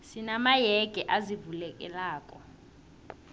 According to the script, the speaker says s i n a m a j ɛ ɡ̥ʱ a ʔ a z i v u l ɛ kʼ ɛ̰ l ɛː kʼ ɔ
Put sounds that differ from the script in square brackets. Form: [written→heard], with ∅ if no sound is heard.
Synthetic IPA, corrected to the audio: s i n a m a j ɛ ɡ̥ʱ [a→ɛ] ʔ a z i v u l ɛ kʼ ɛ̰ l [ɛː→aː] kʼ ɔ